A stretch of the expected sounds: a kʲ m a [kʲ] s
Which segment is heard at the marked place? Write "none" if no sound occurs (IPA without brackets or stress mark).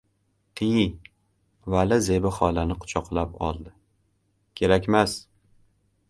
none